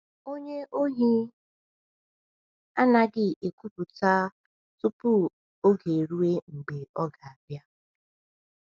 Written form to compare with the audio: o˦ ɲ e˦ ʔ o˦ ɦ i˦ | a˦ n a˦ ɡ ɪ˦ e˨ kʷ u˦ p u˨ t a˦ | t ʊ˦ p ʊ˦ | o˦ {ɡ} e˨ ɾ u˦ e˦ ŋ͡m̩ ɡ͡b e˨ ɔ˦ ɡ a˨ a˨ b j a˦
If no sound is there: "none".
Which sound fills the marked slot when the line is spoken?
ɡ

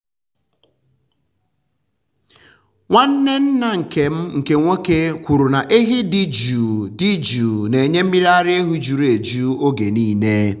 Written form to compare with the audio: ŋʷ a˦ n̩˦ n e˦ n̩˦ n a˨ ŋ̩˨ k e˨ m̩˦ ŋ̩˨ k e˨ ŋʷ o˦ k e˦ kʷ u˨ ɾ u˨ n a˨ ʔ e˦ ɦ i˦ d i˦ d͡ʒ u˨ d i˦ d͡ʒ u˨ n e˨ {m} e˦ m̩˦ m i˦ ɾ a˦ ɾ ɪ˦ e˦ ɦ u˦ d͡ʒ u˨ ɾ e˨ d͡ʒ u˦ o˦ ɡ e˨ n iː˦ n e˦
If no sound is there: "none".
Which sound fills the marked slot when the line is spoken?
ɲ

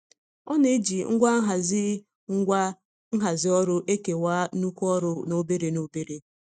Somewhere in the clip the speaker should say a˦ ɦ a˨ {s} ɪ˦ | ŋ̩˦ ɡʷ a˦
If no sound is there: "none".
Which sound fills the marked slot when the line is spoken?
z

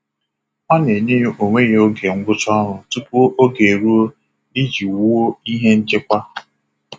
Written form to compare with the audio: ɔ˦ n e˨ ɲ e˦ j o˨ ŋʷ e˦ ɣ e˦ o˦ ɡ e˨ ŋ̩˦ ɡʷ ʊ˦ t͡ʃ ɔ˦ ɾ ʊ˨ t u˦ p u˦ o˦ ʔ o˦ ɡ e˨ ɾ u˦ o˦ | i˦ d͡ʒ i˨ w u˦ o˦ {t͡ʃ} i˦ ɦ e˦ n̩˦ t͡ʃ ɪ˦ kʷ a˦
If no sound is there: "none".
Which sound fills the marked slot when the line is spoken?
none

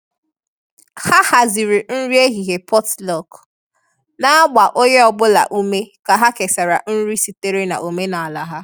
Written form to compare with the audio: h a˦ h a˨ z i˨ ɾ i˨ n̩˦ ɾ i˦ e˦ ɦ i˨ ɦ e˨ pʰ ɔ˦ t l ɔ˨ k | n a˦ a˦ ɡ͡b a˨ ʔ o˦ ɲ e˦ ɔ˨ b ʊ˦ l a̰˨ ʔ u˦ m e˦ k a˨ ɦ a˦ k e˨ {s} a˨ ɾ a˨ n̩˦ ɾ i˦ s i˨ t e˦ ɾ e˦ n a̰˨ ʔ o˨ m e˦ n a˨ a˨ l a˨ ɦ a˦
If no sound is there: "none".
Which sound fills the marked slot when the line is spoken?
s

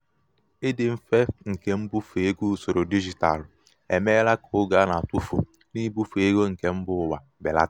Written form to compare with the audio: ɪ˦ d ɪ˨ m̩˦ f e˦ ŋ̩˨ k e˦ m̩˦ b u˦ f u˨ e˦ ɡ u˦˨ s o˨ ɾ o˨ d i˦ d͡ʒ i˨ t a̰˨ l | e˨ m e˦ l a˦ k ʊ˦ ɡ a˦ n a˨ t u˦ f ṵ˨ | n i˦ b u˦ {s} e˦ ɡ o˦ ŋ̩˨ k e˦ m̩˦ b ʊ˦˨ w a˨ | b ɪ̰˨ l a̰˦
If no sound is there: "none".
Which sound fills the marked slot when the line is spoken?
f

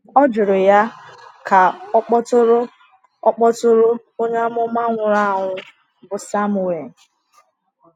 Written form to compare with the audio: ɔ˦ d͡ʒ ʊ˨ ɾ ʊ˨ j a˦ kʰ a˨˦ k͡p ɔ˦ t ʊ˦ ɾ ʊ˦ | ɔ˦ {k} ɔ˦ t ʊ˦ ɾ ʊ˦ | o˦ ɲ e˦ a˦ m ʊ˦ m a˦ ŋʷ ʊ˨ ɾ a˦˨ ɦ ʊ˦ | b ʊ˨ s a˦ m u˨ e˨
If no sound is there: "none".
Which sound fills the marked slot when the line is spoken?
k͡p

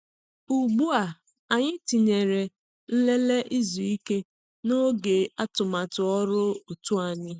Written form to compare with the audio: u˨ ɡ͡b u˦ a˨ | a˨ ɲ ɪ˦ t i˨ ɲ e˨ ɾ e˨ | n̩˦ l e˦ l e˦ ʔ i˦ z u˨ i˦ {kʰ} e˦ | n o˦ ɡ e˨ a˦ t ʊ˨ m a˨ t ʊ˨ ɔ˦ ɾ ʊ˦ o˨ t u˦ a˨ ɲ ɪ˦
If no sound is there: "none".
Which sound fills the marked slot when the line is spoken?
k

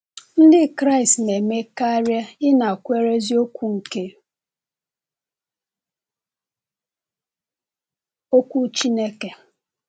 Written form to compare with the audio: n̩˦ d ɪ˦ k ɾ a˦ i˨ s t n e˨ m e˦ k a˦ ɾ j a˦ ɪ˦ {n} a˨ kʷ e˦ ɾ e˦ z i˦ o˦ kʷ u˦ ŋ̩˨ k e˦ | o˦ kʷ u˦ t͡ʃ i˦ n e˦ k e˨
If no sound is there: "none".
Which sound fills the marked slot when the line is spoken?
n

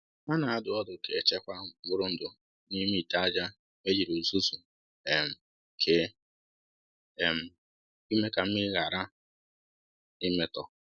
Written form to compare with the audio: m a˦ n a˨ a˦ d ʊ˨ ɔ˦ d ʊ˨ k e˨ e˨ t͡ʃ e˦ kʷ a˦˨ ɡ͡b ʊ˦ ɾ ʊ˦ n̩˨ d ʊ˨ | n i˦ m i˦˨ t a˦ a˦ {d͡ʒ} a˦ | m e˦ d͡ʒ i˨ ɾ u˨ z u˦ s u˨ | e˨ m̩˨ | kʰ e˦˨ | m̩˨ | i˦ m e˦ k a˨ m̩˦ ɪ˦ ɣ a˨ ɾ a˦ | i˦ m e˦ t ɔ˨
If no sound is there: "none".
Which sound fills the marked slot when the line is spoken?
d͡ʒ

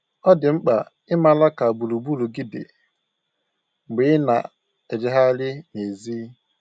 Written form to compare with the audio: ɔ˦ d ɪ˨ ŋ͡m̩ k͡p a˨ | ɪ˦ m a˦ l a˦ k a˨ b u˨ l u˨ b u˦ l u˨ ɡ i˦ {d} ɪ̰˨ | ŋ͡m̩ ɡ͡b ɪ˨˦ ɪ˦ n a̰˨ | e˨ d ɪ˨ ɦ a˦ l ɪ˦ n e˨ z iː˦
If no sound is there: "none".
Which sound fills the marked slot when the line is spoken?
d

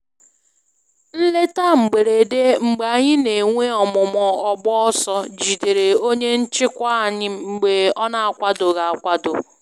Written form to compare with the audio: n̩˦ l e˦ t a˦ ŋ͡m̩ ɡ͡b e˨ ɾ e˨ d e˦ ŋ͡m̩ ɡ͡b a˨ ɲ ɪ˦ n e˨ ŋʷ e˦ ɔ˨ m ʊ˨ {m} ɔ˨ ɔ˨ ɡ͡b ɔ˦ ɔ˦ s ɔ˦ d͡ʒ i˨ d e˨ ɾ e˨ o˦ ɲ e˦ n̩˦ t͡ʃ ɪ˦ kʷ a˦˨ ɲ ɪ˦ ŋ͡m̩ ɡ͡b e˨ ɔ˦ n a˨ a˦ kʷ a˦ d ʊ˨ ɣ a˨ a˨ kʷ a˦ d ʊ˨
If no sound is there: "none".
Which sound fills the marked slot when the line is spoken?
m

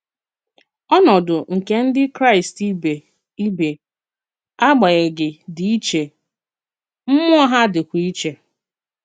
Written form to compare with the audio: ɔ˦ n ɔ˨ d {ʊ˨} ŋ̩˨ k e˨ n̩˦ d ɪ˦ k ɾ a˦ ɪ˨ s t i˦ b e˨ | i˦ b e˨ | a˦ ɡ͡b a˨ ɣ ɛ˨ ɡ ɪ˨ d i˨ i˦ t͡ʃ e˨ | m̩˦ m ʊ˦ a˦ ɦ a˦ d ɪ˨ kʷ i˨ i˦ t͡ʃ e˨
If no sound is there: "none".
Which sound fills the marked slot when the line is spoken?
ʊ˨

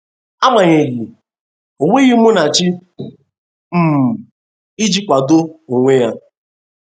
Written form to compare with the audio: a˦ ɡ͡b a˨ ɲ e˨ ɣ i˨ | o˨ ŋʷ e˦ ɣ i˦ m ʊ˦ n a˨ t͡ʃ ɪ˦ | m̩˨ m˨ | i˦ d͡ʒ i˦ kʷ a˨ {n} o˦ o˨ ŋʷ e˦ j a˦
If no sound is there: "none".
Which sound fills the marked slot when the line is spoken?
d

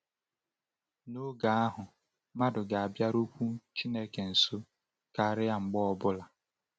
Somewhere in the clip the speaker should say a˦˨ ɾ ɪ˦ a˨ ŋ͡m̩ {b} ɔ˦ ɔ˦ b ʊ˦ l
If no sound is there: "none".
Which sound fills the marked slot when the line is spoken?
ɡ͡b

